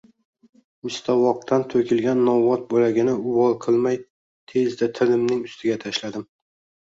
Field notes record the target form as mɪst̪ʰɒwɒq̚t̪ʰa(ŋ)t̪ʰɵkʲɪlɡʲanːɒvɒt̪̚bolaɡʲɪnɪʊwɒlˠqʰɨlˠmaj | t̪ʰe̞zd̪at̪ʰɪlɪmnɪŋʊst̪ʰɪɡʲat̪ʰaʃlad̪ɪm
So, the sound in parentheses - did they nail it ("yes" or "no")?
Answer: no